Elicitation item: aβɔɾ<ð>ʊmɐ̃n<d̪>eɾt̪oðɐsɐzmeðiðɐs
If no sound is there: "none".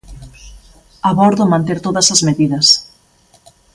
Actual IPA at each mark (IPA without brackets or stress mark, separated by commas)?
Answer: ð, t̪